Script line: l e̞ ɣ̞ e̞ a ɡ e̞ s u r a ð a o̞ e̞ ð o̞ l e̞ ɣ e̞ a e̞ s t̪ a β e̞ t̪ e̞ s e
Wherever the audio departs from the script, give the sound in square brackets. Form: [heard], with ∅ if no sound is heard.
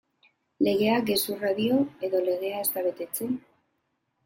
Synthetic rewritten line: l e̞ ɣ̞ e̞ a ɡ e̞ s u r a ð [i] o̞ e̞ ð o̞ l e̞ ɣ e̞ a e̞ s t̪ a β e̞ t̪ e̞ [t͡s] e

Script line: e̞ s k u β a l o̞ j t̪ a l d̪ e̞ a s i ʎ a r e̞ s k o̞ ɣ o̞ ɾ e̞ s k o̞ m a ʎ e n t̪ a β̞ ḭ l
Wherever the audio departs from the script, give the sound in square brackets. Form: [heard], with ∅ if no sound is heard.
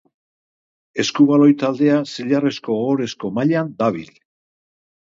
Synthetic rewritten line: e̞ s k u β a l o̞ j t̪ a l d̪ e̞ a s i ʎ a r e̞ s k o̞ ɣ o̞ ɾ e̞ s k o̞ m a ʎ [a] n [d̪] a β̞ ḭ l

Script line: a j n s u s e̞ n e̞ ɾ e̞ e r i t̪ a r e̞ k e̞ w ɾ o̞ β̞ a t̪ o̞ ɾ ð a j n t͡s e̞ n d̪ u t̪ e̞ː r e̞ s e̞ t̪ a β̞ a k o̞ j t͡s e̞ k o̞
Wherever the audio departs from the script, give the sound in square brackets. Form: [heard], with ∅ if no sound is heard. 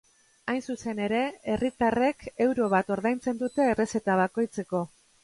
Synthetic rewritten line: a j n s u s e̞ n e̞ ɾ e̞ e r i t̪ a r e̞ k e̞ w ɾ o̞ β̞ a t̪ o̞ ɾ ð a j n t͡s e̞ n d̪ u t̪ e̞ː r e̞ s e̞ t̪ a β̞ a k o̞ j t͡s e̞ k o̞

